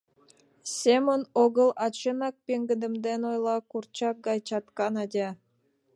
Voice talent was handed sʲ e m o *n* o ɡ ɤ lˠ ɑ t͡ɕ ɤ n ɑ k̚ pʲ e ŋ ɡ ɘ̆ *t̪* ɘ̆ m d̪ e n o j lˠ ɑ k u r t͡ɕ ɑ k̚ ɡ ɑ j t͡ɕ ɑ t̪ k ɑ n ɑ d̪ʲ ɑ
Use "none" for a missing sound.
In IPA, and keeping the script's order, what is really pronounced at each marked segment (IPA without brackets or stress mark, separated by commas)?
n, d̪